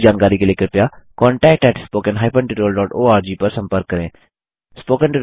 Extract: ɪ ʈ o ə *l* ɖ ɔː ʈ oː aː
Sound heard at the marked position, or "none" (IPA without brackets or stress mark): l